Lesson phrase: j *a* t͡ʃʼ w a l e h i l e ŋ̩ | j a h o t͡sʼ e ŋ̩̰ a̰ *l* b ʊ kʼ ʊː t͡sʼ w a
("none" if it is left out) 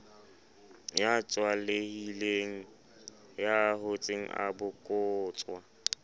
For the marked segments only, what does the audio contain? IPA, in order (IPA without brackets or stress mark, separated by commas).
a, none